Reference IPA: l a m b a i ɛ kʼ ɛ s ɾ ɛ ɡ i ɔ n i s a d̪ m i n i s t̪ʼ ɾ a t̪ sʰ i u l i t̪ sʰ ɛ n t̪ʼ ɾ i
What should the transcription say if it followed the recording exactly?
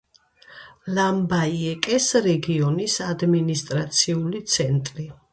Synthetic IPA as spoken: l a m b a i ɛ kʼ ɛ s ɾ ɛ ɡ i ɔ n i s a d̪ m i n i s t̪ʼ ɾ a t̪ sʰ i u l i t̪ sʰ ɛ n t̪ʼ ɾ i